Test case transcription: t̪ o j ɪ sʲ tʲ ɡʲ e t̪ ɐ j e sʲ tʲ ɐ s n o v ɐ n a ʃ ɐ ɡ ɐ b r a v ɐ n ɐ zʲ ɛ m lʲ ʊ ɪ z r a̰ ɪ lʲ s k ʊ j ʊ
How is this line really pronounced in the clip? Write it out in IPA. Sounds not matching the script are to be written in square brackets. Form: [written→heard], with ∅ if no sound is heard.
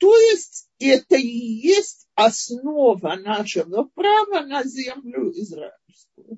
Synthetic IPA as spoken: t̪ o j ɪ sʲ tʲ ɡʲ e t̪ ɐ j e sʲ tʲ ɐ s n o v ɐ n a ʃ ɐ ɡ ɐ [b→p] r a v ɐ n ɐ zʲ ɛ m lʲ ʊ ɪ z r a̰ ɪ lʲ s k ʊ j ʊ